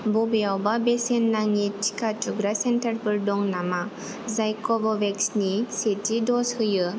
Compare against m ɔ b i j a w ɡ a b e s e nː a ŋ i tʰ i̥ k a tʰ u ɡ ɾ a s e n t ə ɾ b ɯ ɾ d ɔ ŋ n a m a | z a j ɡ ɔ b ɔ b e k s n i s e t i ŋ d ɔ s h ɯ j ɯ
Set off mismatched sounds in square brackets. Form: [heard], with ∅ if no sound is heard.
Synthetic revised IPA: [b] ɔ b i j a w [b] a b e s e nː a ŋ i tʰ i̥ k a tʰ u ɡ ɾ a s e n t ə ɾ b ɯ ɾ d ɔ ŋ n a m a | z a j [k] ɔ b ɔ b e k s n i s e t i [∅] d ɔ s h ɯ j ɯ